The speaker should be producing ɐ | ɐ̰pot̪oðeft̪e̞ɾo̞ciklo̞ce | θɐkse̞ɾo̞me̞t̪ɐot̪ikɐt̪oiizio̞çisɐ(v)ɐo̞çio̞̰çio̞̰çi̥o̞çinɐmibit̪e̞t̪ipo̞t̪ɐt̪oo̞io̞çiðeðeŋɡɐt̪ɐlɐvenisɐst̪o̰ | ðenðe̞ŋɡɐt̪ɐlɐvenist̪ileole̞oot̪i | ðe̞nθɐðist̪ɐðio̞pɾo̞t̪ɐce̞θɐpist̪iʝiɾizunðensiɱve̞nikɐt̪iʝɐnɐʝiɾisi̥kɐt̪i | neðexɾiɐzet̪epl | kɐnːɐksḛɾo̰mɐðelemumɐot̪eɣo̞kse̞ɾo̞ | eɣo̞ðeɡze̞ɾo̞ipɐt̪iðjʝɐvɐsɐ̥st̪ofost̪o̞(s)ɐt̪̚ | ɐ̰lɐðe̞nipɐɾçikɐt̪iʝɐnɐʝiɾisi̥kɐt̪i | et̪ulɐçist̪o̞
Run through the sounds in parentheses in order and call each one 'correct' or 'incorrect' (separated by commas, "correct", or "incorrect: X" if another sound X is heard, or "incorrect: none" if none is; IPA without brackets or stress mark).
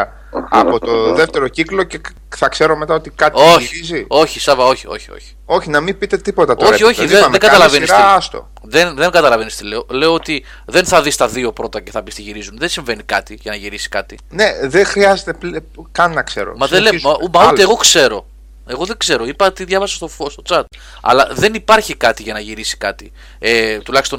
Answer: correct, incorrect: t͡s